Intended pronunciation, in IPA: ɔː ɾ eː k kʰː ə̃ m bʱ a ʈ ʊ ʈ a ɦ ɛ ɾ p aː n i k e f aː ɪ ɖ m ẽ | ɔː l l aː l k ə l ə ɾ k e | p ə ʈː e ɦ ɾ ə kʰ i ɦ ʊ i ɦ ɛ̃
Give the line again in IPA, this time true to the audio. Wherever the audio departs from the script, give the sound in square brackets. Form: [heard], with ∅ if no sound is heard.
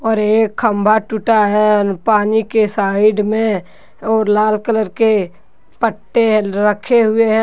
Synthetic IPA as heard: ɔː ɾ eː k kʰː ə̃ m bʱ a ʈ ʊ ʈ a ɦ ɛ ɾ p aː n i k e [s] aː ɪ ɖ m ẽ | ɔː [ɾ] l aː l k ə l ə ɾ k e | p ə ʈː e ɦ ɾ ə kʰ [e] ɦ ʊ [e] ɦ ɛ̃